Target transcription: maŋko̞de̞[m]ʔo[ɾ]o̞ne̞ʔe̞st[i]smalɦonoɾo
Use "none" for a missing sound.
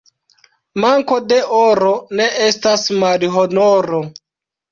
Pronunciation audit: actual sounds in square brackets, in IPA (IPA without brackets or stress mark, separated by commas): none, ɾ, a